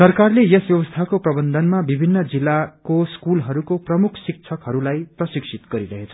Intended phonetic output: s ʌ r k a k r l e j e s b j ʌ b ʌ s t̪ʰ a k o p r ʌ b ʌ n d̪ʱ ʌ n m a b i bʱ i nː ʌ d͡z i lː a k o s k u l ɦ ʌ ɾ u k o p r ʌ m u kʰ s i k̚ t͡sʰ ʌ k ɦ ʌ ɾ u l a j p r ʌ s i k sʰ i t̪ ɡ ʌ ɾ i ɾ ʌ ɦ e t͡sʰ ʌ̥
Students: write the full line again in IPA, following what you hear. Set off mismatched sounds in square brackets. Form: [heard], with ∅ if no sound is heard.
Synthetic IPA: s ʌ r k a [∅] r l e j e s b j ʌ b ʌ s t̪ʰ a k o p r ʌ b ʌ n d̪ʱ ʌ n m a b i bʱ i nː ʌ d͡z i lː a k o s k u l ɦ ʌ ɾ u k o p r ʌ m u kʰ s i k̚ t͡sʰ ʌ k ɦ ʌ ɾ u l a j p r ʌ s i k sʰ i t̪ ɡ ʌ ɾ i ɾ ʌ ɦ e t͡sʰ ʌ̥

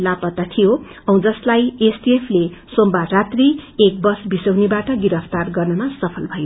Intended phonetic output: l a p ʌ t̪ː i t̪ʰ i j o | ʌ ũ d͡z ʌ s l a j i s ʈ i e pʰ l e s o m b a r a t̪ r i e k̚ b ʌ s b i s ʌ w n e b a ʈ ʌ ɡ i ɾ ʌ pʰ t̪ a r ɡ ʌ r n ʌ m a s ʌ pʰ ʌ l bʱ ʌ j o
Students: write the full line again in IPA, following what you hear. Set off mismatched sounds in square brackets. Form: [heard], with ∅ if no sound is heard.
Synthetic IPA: l a p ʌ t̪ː [a] t̪ʰ i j o | ʌ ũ d͡z ʌ s l a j [e] s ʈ i e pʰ l e s o m b a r a t̪ r i e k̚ b ʌ s b i s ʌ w n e b a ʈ ʌ ɡ i ɾ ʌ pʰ t̪ a r ɡ ʌ r n ʌ m a s ʌ pʰ ʌ l bʱ ʌ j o

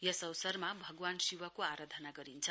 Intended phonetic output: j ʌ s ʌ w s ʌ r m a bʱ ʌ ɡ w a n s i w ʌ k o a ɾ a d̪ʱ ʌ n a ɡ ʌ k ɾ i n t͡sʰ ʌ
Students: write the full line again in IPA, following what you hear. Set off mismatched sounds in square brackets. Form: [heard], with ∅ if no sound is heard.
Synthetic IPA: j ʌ s ʌ w s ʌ r m a bʱ ʌ ɡ w a n s i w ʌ k o a ɾ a d̪ʱ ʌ n a ɡ ʌ [∅] ɾ i n t͡sʰ ʌ

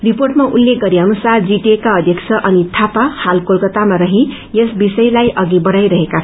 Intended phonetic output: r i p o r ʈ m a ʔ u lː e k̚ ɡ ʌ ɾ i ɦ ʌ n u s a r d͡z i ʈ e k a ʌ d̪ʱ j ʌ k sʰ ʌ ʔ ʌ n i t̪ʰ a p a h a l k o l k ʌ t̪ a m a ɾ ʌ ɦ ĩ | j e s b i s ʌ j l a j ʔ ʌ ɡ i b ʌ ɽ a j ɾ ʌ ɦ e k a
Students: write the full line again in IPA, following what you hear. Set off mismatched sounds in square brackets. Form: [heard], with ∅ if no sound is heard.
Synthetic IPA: r i p o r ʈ m a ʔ u lː e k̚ ɡ ʌ ɾ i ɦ ʌ n u s a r d͡z i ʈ e k a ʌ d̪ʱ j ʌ k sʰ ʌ ʔ ʌ n i t̪ʰ a p a h a l k o l k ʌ t̪ a m a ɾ ʌ ɦ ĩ | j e s b i s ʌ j l a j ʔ ʌ ɡ i b ʌ ɽ a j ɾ ʌ ɦ e k a

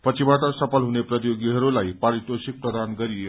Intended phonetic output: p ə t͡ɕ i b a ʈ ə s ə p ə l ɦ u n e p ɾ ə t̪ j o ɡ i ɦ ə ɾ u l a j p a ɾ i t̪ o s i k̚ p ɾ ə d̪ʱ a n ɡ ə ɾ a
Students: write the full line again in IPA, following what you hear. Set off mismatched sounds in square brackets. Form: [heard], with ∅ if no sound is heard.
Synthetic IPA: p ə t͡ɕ i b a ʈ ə s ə p ə l ɦ u n e p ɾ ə t̪ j o ɡ i ɦ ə ɾ u l a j p a ɾ i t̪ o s i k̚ p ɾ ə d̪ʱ a n ɡ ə ɾ [i]

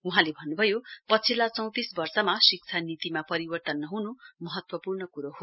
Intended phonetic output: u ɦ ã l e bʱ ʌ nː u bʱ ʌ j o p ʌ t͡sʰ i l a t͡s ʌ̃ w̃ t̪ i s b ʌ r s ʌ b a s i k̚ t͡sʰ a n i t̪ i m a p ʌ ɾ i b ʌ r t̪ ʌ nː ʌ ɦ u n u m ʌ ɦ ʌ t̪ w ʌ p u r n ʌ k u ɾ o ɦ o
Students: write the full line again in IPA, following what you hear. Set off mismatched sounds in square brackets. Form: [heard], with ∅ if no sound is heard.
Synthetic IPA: u ɦ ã l e bʱ ʌ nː u bʱ ʌ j o p ʌ t͡sʰ i l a t͡s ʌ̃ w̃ t̪ i s b ʌ r s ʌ [m] a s i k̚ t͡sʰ a n i t̪ i m a p ʌ ɾ i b ʌ r t̪ ʌ nː ʌ ɦ u n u m ʌ ɦ ʌ t̪ w ʌ p u r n ʌ k u ɾ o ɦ o

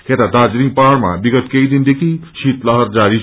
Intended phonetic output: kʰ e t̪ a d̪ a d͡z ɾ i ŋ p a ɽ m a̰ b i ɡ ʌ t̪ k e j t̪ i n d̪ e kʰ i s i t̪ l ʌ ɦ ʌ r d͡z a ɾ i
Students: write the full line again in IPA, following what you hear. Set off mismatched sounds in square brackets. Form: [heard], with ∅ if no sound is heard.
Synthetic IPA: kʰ e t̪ a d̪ a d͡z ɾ i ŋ p a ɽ m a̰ b i ɡ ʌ t̪ k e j [d̪] i n d̪ e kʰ i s i t̪ l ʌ ɦ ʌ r d͡z a ɾ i

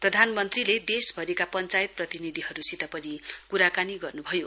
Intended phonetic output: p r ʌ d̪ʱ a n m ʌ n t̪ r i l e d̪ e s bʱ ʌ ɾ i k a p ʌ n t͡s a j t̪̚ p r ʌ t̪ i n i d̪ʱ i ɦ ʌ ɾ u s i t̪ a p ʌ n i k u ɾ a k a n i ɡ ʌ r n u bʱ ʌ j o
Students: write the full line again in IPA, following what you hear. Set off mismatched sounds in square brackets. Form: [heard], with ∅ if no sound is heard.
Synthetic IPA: p r ʌ d̪ʱ a n m ʌ n t̪ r i l e d̪ e s bʱ ʌ ɾ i k a p ʌ n t͡s a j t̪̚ p r ʌ t̪ i n i d̪ʱ i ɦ ʌ ɾ u s i t̪ a p ʌ n i k u ɾ a k a n i ɡ ʌ r n u bʱ ʌ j o

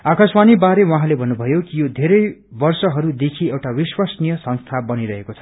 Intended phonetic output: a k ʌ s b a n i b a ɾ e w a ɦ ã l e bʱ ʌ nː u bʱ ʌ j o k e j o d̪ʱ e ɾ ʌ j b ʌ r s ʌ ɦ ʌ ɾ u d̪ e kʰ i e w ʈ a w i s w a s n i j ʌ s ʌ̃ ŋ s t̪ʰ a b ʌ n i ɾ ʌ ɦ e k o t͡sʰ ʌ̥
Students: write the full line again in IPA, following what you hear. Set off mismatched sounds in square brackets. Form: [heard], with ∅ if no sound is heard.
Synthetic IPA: a k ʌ s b a n i b a ɾ e w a ɦ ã l e bʱ ʌ nː u bʱ ʌ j o k [i] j o d̪ʱ e ɾ ʌ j b ʌ r s ʌ ɦ ʌ ɾ u d̪ e kʰ i e w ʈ a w i s w a s n i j ʌ s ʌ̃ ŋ s t̪ʰ a b ʌ n i ɾ ʌ ɦ e k o t͡sʰ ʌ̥

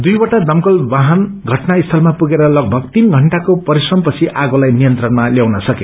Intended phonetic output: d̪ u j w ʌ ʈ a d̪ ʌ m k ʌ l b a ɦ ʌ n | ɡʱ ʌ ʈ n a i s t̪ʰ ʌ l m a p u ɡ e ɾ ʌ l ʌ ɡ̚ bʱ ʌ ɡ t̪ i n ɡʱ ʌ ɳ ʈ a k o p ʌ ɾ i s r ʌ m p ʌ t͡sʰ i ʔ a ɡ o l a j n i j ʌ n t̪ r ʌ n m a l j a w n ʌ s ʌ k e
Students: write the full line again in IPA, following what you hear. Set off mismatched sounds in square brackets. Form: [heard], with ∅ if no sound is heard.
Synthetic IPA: d̪ u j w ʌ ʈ a d̪ ʌ m k ʌ l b a ɦ ʌ n | ɡʱ ʌ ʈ n a i s t̪ʰ ʌ l m a p u ɡ e ɾ ʌ l ʌ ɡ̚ bʱ ʌ ɡ t̪ i n ɡʱ ʌ ɳ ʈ a k o p ʌ ɾ i s r ʌ m p ʌ t͡sʰ i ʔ a ɡ o l a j n i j ʌ n t̪ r ʌ n m a l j a w n ʌ s ʌ k e

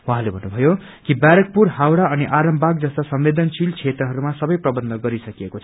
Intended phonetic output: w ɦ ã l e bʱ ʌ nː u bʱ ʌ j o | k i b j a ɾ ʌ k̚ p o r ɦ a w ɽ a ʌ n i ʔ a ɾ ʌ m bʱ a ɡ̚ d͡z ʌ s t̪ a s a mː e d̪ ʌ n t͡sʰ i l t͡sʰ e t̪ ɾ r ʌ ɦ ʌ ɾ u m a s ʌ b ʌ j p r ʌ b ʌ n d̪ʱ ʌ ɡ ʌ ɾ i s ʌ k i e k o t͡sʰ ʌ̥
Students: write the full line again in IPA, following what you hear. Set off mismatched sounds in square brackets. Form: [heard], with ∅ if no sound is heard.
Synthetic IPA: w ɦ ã l e bʱ ʌ nː u bʱ ʌ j o | k i b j a ɾ ʌ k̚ p [u] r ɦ a w ɽ a ʌ n i ʔ a ɾ ʌ m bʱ a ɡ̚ d͡z ʌ s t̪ a s [ʌ] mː e d̪ ʌ n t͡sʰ i l t͡sʰ e t̪ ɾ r ʌ ɦ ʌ ɾ u m a s ʌ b ʌ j p r ʌ b ʌ n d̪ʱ ʌ ɡ ʌ ɾ i s ʌ k i e k o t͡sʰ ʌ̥

